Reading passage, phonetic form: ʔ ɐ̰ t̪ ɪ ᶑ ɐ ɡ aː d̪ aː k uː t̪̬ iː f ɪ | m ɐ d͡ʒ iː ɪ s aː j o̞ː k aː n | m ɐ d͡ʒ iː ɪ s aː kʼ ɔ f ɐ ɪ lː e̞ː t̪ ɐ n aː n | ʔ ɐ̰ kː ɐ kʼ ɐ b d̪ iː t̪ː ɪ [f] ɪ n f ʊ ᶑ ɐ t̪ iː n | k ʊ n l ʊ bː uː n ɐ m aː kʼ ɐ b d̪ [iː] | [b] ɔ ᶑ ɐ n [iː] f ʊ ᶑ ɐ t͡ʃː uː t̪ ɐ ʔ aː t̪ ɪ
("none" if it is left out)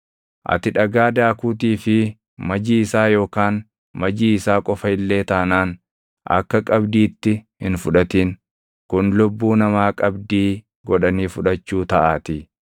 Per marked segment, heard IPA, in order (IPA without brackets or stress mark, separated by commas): h, iː, ɡ, iː